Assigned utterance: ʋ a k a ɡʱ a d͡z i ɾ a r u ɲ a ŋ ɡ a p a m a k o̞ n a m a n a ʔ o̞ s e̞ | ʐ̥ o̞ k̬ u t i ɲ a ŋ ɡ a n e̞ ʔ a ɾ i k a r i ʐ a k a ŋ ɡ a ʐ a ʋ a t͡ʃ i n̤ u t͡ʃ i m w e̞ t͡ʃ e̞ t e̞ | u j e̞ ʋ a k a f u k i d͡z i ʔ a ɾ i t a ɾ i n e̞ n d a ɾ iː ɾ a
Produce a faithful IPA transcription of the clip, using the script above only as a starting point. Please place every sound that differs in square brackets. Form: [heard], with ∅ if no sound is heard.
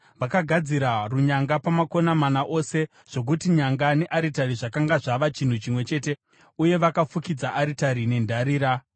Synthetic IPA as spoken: ʋ a k a ɡʱ a d͡z i ɾ a r u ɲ a ŋ ɡ a p a m a k o̞ n a m a n a ʔ o̞ s e̞ | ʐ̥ o̞ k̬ u t i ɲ a ŋ ɡ a n e̞ ʔ a ɾ i [t] a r i ʐ a k a ŋ ɡ a ʐ a ʋ a t͡ʃ i n̤ u t͡ʃ i m w e̞ t͡ʃ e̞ t e̞ | u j e̞ ʋ a k a f u k i d͡z [a] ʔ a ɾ i t a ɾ i n e̞ n d a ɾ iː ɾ a